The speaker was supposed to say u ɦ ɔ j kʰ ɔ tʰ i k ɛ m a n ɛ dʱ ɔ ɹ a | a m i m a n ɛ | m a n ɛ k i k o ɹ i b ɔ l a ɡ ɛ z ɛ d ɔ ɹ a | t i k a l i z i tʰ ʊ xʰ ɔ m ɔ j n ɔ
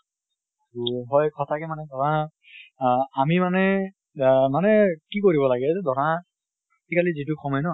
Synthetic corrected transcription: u ɦ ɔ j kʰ ɔ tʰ a k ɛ m a n ɛ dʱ ɔ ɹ a | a m i m a n ɛ | m a n ɛ k i k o ɹ i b ɔ l a ɡ ɛ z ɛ d ɔ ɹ a | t i k a l i z i t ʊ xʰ ɔ m ɔ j n ɔ